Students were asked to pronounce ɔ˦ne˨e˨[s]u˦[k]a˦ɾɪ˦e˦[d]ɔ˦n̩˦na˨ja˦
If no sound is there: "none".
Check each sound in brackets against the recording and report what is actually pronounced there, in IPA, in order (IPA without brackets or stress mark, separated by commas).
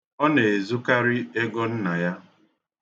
z, k, ɡ